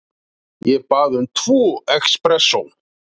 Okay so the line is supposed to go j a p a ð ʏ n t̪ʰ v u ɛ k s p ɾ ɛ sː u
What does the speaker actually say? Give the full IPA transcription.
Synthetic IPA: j ɛ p a ð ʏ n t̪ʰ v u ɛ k s p ɾ ɛ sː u